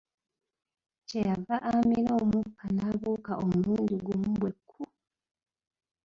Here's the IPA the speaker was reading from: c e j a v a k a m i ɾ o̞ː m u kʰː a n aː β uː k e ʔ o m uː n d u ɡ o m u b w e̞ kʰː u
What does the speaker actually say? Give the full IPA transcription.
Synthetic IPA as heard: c e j a v a ʔ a m i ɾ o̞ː m u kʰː a n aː β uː k a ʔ o m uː n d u ɡ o m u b w e̞ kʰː u